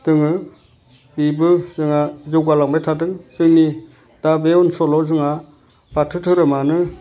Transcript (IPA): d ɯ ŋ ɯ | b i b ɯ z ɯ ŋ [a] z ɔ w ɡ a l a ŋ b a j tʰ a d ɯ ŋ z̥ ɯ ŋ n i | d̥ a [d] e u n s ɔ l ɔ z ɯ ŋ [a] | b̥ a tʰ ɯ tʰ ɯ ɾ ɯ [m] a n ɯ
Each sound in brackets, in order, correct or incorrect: correct, incorrect: b, correct, correct

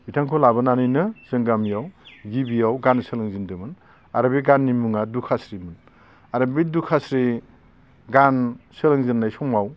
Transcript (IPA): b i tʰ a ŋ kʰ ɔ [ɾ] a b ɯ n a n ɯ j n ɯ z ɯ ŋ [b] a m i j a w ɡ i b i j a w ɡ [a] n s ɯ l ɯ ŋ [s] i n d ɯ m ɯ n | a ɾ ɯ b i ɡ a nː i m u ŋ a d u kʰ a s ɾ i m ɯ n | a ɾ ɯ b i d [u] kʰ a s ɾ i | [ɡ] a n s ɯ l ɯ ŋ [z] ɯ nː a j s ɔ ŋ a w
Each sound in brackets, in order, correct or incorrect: incorrect: l, incorrect: ɡ, correct, incorrect: z, correct, correct, correct

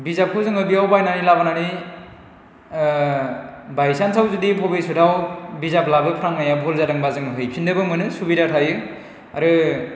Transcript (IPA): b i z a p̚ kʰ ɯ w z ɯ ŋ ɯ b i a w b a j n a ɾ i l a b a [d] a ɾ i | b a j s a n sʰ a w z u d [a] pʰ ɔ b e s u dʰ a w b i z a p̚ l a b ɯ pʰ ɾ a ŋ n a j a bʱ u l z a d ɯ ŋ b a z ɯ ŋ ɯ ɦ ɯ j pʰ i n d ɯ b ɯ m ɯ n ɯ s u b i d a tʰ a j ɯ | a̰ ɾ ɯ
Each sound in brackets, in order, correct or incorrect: incorrect: n, incorrect: i

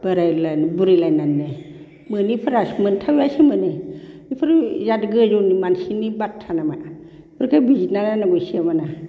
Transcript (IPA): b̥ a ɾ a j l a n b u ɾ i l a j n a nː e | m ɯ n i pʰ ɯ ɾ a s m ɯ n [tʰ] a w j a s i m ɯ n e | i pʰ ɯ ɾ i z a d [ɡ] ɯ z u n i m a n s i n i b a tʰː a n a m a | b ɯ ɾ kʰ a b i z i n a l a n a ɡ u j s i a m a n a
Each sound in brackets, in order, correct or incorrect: correct, correct

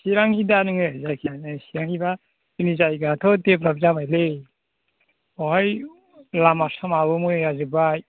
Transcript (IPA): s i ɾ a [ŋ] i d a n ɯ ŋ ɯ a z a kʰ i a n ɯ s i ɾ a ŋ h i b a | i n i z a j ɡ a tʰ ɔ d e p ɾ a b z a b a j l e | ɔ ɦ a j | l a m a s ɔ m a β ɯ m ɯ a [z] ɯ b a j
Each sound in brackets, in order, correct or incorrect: correct, correct

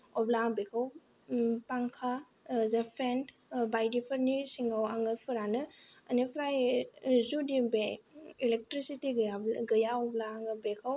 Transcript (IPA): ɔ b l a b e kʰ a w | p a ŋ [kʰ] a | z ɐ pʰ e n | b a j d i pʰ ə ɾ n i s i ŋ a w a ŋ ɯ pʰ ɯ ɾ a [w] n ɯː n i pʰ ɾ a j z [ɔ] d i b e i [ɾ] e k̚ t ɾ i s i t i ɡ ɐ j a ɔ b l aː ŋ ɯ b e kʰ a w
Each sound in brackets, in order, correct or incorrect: correct, incorrect: none, incorrect: u, incorrect: l

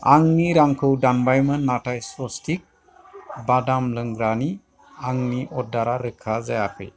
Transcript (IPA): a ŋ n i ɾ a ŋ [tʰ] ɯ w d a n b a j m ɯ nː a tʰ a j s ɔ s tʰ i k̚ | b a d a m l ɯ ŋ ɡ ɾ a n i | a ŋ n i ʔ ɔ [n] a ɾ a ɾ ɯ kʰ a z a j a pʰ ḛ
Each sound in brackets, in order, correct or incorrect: incorrect: kʰ, incorrect: d

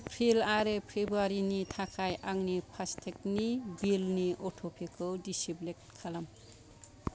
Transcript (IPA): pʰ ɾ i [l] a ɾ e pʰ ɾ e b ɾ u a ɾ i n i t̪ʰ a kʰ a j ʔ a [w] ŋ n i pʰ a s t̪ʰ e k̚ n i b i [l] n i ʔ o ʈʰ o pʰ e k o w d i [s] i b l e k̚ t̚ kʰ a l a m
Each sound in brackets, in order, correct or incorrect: correct, incorrect: none, correct, correct

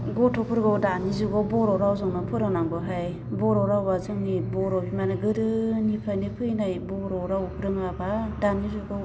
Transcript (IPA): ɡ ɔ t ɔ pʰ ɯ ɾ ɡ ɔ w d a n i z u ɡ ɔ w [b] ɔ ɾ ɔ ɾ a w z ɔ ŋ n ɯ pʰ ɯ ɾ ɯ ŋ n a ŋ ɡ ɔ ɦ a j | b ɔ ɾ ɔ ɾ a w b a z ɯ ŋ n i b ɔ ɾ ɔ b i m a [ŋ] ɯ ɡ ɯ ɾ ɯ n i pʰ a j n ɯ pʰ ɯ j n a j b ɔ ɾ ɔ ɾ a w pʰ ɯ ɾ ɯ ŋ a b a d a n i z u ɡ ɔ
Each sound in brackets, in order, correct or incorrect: correct, incorrect: n

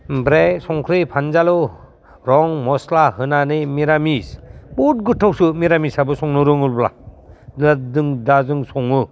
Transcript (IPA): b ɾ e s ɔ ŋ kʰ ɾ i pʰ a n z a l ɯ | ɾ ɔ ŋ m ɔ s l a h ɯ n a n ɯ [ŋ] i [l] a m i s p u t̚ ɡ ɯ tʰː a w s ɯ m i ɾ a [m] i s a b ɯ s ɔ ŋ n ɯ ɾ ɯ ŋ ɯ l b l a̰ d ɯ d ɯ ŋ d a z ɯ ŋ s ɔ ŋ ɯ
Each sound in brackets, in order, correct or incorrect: incorrect: m, incorrect: ɾ, correct

